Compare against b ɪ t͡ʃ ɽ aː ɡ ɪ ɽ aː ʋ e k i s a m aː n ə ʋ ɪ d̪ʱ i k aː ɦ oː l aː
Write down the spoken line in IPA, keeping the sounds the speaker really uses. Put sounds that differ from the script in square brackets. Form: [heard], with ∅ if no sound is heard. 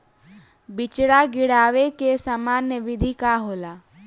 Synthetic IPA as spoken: b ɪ t͡ʃ ɽ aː ɡ ɪ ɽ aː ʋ e k [e] s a m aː n ə ʋ ɪ d̪ʱ i k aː ɦ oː l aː